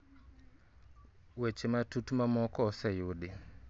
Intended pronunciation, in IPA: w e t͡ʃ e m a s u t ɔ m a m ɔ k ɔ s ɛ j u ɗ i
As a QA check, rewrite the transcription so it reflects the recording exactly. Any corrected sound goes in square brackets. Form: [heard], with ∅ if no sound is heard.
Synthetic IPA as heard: w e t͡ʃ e m a [t] u t [u] m a m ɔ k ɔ s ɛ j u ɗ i